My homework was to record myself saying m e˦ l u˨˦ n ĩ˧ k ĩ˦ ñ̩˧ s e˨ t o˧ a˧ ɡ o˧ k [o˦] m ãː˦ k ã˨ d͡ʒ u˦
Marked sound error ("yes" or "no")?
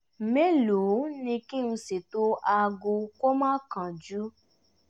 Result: no